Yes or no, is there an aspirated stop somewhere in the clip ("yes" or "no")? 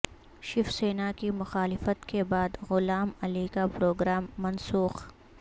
no